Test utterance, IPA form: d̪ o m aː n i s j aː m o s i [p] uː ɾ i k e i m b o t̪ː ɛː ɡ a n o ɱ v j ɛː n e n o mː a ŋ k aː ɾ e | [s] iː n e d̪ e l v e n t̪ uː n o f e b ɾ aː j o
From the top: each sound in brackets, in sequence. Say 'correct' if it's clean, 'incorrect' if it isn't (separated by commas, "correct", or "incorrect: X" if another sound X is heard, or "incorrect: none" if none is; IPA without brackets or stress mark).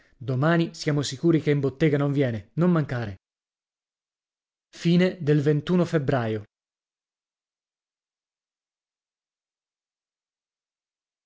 incorrect: k, incorrect: f